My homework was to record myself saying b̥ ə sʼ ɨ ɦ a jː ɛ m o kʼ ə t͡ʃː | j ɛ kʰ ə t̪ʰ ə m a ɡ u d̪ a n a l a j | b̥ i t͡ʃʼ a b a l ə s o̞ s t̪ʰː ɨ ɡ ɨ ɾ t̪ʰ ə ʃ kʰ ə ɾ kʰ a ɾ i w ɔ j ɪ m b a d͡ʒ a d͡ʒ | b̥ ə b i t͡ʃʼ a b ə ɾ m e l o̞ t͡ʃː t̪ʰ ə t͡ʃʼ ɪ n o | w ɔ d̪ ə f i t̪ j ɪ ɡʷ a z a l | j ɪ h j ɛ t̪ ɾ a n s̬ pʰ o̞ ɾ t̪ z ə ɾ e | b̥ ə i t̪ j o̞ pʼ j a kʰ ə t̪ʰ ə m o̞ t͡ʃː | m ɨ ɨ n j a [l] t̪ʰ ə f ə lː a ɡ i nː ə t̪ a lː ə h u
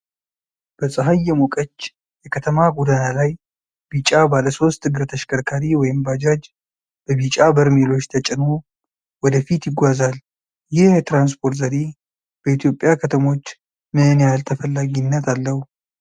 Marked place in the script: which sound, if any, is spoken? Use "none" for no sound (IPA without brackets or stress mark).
l